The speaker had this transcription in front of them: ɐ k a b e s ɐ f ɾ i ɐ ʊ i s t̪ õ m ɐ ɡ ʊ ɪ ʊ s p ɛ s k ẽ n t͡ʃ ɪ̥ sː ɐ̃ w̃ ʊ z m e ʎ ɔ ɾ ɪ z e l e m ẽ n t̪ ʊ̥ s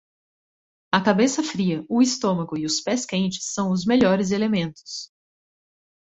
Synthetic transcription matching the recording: ɐ k a b e s ɐ f ɾ i ɐ ʊ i s t̪ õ m ɐ ɡ ʊ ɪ ʊ s p ɛ s k ẽ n t͡ʃ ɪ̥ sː ɐ̃ w̃ ʊ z m e ʎ ɔ ɾ ɪ z e l e m ẽ n t̪ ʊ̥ s